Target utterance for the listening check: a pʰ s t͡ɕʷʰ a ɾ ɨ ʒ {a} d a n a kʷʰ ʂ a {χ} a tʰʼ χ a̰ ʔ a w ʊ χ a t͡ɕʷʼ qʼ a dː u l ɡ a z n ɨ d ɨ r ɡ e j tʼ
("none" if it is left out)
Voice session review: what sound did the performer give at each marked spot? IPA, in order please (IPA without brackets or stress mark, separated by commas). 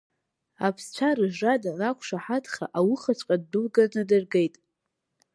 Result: a, ħ